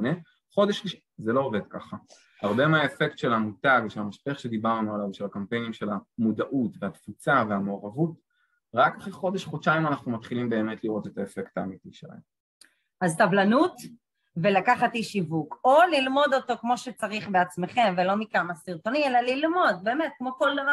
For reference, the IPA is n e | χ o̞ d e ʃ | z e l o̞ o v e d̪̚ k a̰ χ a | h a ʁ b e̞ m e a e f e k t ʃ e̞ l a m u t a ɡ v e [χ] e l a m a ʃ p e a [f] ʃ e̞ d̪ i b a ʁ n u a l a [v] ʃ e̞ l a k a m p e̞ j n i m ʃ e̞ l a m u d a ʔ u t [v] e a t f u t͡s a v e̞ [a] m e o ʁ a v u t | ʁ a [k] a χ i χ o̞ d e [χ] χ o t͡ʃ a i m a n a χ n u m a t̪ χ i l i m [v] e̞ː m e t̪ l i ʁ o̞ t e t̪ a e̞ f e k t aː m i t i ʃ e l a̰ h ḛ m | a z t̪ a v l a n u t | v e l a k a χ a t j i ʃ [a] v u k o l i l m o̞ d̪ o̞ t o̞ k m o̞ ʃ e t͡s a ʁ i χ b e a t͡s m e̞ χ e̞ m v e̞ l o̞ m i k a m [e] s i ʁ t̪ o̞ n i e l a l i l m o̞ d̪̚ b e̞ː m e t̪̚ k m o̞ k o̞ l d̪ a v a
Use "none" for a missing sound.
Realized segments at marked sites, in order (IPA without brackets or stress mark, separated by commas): ʃ, χ, v, v, a, k, ʃ, b, i, a